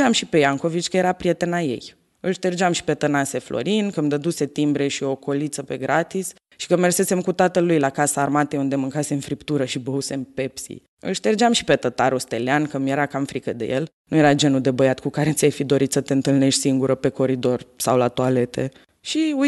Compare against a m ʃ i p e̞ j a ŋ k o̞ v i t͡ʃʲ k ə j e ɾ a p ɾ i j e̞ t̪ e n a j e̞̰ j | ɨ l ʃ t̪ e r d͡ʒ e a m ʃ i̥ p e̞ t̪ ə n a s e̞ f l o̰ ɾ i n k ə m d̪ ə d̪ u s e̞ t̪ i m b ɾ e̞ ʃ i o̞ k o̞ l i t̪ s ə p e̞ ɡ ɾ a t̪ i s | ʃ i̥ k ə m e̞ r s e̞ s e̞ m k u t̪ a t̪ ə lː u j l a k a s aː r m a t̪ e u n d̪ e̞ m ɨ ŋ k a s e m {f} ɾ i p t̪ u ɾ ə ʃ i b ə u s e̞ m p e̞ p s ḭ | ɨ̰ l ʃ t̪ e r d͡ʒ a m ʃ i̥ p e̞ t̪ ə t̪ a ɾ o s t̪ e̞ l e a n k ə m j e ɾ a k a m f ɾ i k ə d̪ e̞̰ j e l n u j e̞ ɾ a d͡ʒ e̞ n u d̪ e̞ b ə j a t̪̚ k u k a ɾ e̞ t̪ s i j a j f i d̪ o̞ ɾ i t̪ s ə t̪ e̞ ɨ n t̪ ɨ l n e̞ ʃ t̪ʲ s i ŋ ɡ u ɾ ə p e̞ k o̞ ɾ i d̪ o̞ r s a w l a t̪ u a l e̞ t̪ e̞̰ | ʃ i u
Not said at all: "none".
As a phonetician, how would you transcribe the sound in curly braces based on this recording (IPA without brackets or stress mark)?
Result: f